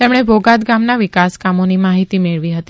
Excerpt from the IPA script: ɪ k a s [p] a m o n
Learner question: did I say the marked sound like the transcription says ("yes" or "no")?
no